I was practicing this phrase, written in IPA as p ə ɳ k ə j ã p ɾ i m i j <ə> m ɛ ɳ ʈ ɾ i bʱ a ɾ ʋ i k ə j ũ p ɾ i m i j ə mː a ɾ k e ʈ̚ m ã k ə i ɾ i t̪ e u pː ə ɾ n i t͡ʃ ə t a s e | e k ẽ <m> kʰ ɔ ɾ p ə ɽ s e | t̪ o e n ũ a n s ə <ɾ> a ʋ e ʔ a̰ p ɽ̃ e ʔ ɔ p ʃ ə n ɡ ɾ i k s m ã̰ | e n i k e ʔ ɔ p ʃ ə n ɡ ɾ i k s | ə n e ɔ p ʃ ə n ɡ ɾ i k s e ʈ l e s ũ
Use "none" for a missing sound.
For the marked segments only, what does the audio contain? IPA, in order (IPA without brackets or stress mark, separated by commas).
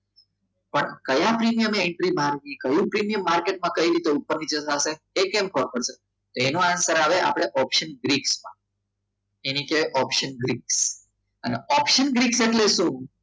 ə, m, ɾ